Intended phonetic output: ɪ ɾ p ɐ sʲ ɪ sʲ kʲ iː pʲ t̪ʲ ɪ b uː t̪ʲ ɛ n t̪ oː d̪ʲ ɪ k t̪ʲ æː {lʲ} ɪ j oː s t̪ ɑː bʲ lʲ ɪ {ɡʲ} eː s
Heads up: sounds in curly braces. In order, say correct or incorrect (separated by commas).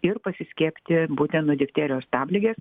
incorrect, correct